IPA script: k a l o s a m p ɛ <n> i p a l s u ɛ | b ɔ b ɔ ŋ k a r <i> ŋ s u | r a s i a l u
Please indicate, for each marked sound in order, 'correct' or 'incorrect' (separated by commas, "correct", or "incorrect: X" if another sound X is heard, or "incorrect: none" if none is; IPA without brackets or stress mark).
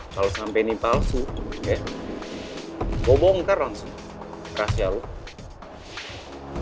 correct, incorrect: a